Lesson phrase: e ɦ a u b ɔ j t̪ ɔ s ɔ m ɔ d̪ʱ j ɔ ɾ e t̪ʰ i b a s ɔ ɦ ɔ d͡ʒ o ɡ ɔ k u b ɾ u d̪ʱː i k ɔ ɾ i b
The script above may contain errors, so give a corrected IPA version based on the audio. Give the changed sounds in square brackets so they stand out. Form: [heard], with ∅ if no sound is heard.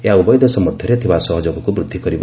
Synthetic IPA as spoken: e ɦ a u b ɔ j [d̪] ɔ s ɔ m ɔ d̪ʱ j ɔ ɾ e t̪ʰ i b a s ɔ ɦ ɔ d͡ʒ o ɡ ɔ k u b ɾ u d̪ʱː i k ɔ ɾ i b